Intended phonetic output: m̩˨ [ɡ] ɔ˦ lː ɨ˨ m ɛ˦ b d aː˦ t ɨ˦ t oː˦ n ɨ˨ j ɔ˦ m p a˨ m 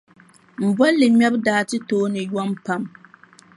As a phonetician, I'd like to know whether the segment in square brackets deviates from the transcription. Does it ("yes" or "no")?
yes